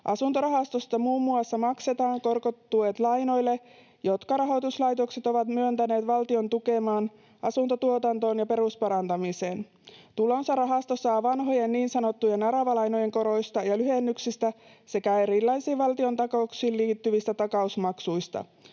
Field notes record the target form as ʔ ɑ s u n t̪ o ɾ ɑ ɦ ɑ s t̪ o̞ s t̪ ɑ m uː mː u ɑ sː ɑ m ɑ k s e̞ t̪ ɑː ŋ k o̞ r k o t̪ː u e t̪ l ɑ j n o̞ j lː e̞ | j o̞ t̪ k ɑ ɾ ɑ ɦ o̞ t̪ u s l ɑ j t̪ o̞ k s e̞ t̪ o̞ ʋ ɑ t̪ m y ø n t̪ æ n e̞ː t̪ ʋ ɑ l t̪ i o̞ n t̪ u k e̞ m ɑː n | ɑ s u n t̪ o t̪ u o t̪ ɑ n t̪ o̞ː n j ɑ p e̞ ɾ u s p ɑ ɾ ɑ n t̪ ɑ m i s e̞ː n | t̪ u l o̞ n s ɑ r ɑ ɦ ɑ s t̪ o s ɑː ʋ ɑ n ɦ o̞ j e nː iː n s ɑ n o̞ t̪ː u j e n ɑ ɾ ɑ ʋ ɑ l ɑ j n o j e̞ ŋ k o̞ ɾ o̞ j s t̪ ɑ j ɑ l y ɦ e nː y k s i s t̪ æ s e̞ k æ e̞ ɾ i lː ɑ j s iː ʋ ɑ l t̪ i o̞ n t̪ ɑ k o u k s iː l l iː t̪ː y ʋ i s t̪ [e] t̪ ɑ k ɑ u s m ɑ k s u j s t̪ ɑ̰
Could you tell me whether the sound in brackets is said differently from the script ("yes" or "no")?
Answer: yes